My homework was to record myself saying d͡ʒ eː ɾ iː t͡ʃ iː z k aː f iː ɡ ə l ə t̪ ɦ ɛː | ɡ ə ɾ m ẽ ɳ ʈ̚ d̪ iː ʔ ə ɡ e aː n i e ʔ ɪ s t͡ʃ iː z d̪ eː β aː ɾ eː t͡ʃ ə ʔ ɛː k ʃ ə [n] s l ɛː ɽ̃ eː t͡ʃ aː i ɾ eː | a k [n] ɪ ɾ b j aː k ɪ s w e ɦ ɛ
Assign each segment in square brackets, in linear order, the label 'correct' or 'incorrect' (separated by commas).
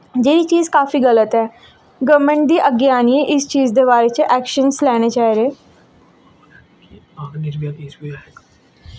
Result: correct, correct